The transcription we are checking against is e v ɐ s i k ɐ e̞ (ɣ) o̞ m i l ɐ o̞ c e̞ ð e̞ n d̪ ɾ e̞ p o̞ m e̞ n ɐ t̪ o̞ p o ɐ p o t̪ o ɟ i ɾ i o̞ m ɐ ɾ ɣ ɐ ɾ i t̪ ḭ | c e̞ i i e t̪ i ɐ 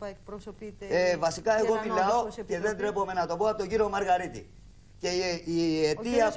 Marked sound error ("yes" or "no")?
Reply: no